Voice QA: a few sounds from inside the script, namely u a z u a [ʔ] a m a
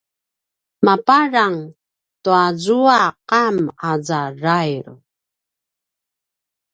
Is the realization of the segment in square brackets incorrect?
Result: yes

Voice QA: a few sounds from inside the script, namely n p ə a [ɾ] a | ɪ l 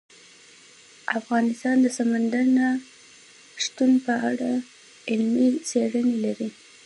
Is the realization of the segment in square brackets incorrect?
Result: yes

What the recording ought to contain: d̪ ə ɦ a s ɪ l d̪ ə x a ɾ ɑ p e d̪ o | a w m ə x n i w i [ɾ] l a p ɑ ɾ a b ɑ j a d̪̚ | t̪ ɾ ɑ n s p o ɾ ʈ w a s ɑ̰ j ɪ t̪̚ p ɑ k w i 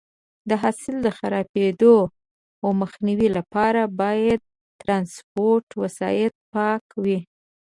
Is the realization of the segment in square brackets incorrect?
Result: yes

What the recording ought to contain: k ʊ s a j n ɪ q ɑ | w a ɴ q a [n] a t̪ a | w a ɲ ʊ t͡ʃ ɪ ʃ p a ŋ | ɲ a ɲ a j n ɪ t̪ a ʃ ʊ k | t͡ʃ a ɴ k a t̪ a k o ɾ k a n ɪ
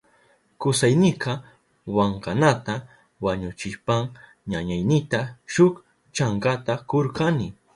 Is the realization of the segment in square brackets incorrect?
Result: no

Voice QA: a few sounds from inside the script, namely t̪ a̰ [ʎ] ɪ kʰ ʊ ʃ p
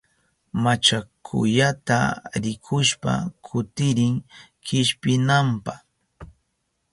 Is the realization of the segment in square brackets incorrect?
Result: yes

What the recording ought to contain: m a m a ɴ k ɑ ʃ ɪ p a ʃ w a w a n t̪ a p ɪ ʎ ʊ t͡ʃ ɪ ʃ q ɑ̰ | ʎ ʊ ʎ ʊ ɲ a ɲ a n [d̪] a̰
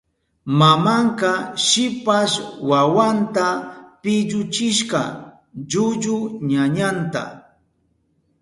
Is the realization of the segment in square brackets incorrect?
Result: yes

